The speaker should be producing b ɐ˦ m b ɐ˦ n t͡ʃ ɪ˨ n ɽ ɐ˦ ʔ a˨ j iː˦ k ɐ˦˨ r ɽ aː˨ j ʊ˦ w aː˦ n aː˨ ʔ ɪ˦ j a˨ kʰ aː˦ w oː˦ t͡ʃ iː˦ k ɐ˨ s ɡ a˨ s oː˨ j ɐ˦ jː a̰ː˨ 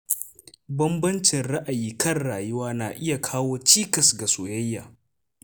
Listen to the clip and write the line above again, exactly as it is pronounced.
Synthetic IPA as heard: b ɐ˦ m b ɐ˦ n t͡ʃ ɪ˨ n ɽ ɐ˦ ʔ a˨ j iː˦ k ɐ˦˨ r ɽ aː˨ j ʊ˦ w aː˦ n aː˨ ʔ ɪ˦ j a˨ kʰ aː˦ w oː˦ t͡ʃ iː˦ k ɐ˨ s ɡ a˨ s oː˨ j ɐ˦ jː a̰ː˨